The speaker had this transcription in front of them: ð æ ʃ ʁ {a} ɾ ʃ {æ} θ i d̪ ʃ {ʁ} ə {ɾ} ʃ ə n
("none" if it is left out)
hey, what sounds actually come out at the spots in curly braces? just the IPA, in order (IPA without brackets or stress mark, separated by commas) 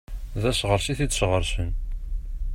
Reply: ə, i, ʁ, ɾ